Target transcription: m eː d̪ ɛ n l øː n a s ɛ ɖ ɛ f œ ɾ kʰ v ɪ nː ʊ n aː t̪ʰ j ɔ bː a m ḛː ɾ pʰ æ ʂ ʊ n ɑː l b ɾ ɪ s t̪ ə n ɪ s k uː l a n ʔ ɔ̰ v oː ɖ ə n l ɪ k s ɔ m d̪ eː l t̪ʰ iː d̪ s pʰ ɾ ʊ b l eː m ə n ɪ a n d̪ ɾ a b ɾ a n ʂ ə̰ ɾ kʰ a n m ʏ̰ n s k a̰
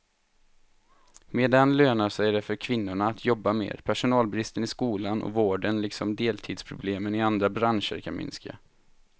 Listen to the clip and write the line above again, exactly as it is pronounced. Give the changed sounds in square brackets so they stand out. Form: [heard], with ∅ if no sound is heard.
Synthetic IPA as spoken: m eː d̪ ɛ n l øː n a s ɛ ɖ ɛ f œ ɾ kʰ v ɪ nː ʊ [ɳ] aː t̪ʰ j ɔ bː a m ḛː ɾ pʰ æ ʂ ʊ n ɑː l b ɾ ɪ s t̪ ə n ɪ s k uː l a n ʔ ɔ̰ v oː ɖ ə n l ɪ k s ɔ m d̪ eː l t̪ʰ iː d̪ s pʰ ɾ ʊ b l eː m ə n ɪ a n d̪ ɾ a b ɾ a n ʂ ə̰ ɾ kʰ a n m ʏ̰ n s k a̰